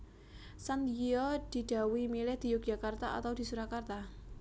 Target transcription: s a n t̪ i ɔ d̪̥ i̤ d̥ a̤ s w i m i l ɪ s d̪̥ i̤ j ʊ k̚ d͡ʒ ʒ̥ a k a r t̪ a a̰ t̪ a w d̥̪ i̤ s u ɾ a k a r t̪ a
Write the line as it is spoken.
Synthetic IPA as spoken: s a n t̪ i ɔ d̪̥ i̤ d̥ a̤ w i m i l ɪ h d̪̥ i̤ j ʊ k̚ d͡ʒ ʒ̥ a k a r t̪ a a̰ t̪ a w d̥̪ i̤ s u ɾ a k a r t̪ a